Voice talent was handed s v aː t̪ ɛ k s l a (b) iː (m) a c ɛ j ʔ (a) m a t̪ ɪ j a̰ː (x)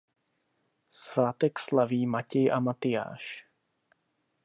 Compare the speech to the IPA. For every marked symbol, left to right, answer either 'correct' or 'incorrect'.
incorrect, correct, correct, incorrect

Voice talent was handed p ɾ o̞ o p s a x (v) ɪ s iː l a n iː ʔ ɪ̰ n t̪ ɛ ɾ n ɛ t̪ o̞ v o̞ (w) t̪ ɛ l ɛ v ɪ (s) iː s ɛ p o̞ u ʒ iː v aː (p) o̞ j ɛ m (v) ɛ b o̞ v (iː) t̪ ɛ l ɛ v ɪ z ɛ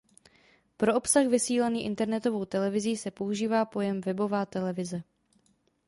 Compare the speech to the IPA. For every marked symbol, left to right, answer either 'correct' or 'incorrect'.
correct, correct, incorrect, correct, correct, incorrect

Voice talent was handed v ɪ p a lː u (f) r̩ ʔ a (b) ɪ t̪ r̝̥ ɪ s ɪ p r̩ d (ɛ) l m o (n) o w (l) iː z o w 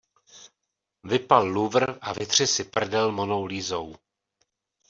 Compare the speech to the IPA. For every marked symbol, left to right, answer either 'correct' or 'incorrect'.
incorrect, incorrect, correct, correct, correct

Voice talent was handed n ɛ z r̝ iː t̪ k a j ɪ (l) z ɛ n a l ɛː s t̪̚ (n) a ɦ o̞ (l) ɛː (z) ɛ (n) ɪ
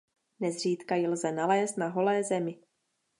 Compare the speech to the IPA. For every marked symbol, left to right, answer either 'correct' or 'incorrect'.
correct, correct, correct, correct, incorrect

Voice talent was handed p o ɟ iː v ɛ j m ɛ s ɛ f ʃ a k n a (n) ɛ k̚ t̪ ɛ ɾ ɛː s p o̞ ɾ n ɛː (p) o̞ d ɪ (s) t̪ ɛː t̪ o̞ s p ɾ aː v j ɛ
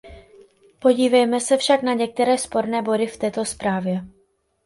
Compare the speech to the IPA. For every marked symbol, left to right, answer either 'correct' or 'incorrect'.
incorrect, incorrect, incorrect

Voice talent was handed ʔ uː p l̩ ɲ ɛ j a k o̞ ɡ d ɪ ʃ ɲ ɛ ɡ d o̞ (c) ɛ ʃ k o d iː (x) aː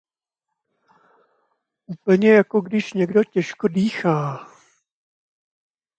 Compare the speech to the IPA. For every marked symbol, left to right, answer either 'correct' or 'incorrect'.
correct, correct

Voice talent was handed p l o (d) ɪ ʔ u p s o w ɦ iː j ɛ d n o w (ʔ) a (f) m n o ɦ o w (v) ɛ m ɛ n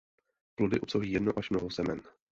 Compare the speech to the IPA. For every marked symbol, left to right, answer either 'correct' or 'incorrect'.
correct, correct, incorrect, incorrect

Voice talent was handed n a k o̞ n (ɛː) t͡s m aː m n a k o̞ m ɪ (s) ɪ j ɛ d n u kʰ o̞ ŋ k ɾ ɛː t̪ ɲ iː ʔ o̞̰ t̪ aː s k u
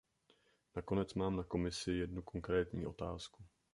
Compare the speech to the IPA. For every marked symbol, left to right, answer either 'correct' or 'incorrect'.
incorrect, correct

